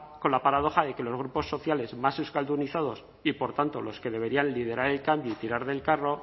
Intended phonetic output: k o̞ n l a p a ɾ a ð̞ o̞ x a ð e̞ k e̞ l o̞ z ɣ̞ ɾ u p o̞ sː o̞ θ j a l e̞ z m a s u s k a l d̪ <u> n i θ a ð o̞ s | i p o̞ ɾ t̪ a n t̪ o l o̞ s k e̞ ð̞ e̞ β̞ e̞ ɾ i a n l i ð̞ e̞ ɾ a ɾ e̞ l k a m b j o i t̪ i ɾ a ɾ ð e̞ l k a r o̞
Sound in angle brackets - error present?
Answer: no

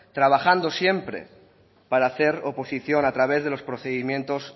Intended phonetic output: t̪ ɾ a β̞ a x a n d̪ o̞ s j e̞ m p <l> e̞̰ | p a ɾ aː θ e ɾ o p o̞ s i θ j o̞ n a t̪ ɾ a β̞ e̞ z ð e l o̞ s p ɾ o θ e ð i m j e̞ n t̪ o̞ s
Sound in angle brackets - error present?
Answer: yes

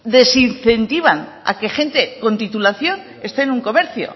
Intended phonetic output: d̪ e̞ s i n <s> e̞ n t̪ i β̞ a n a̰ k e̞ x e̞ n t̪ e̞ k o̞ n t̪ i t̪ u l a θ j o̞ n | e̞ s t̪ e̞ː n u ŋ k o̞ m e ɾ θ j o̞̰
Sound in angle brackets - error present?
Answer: yes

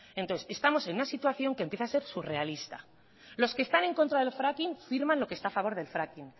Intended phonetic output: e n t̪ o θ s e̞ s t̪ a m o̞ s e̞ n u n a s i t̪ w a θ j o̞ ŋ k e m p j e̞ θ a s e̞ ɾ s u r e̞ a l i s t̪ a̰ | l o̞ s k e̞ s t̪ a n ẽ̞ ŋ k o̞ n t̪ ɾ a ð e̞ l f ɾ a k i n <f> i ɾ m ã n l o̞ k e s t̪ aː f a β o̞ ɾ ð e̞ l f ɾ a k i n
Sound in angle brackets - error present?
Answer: no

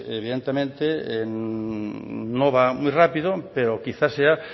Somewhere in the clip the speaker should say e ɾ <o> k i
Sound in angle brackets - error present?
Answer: no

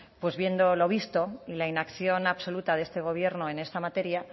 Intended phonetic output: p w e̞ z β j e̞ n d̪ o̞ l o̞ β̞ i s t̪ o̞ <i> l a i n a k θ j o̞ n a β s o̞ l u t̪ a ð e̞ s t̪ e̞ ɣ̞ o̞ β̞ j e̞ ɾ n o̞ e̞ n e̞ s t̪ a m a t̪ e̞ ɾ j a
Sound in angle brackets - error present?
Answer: no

